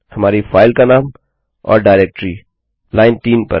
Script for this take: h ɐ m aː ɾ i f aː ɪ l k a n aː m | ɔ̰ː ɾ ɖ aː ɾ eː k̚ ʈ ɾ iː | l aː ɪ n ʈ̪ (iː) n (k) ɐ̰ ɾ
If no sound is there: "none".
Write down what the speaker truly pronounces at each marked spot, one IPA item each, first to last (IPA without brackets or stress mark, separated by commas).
iː, p